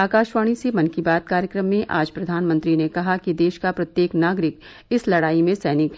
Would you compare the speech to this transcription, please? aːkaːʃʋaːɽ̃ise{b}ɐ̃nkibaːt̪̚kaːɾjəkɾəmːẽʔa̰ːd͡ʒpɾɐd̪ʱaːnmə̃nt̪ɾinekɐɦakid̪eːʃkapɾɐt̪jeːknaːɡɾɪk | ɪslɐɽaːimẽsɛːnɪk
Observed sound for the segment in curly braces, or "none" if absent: m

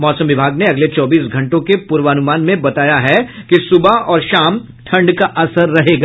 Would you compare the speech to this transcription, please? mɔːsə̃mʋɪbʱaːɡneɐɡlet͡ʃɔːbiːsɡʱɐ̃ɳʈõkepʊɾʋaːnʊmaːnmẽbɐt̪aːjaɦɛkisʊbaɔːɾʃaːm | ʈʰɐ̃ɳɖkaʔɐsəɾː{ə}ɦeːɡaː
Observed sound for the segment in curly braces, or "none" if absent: ɐ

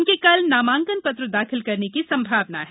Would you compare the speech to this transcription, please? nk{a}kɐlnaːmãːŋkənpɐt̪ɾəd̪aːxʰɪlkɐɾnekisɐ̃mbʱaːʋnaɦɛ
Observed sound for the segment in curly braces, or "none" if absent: e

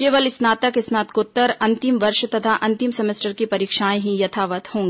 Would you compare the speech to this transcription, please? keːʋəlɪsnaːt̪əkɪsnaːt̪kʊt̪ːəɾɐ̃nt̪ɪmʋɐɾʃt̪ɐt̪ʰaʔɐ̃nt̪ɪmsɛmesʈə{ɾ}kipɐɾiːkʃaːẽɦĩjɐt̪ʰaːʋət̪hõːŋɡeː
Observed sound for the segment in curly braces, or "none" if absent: ɾ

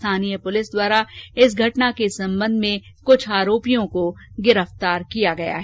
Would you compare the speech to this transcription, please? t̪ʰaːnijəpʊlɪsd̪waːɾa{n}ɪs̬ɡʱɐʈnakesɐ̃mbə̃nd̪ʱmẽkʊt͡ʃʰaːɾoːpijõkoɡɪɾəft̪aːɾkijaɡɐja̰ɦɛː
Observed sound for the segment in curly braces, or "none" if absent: none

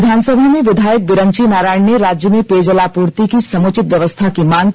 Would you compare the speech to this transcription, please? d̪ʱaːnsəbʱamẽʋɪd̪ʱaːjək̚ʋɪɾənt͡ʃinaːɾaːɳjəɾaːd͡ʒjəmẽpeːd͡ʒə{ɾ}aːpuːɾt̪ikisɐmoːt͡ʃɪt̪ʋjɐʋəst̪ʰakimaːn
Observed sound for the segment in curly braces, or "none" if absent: l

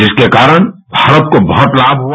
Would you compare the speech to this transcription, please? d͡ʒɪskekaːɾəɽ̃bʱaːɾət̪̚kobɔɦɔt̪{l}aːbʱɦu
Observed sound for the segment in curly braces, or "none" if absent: l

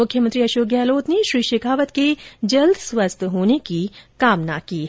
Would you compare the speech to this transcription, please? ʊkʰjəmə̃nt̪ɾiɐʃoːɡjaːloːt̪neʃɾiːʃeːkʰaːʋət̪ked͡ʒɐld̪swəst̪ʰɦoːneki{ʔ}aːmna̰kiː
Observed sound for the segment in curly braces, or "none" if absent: k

